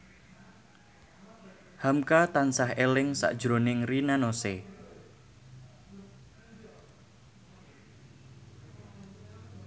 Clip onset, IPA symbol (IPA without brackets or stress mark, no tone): h